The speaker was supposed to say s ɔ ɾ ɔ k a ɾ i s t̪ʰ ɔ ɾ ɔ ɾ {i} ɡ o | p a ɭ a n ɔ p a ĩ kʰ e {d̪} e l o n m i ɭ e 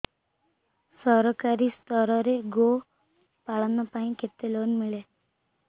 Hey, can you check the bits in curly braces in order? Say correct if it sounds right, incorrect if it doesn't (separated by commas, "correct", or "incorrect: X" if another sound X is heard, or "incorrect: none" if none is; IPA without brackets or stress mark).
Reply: incorrect: e, incorrect: t̪